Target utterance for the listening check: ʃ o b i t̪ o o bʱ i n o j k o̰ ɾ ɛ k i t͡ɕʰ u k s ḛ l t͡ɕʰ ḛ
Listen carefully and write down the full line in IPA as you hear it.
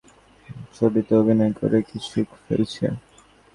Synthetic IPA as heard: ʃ o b i t̪ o o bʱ i n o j k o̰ ɾ e k i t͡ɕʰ u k f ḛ l t͡ɕʰ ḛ